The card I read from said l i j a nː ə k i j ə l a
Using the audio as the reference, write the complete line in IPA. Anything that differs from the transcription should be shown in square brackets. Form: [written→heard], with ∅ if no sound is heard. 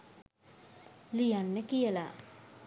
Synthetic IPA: l i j a nː ə k i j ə l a